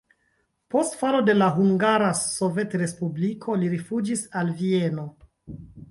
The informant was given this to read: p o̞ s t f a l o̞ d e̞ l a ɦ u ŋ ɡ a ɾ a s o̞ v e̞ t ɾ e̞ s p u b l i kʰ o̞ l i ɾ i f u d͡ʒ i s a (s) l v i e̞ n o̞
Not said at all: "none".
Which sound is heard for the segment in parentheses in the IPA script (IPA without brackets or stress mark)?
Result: none